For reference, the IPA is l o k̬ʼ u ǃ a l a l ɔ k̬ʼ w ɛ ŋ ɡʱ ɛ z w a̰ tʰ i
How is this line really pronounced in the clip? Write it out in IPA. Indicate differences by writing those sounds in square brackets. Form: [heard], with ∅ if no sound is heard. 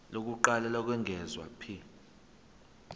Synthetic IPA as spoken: l o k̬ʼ u ǃ a l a l ɔ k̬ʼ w ɛ ŋ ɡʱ ɛ z w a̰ [pʰ] i